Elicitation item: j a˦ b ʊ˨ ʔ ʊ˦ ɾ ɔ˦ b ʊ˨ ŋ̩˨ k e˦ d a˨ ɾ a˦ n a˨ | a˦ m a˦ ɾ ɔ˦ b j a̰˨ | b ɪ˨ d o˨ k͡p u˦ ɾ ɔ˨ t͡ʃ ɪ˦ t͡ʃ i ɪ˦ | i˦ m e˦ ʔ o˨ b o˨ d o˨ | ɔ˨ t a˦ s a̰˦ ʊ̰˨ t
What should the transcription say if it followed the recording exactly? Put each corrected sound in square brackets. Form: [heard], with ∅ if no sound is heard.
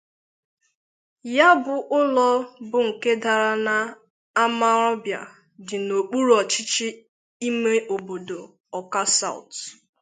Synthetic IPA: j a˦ b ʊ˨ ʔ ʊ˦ [l] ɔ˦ b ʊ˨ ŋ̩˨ k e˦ d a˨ ɾ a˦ n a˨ | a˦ m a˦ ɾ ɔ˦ b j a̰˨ | [d] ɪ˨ [n] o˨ k͡p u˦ ɾ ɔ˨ t͡ʃ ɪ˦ t͡ʃ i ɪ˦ | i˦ m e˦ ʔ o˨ b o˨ d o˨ | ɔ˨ [k] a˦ s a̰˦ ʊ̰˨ t